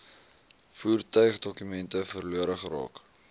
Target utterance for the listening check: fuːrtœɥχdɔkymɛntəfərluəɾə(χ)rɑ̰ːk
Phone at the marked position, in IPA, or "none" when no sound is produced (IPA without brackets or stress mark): χ